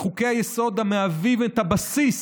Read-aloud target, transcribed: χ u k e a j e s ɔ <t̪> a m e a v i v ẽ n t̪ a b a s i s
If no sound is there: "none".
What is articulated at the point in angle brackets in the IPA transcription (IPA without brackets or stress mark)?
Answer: d̪